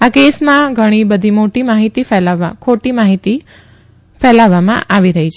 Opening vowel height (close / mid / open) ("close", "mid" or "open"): open